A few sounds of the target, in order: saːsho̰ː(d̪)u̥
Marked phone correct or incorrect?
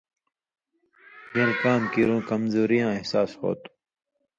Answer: incorrect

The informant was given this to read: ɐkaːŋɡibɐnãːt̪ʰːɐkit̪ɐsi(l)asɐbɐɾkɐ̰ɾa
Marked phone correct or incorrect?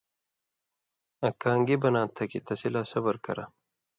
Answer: correct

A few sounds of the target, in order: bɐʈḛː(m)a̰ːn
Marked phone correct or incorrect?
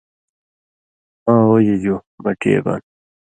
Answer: incorrect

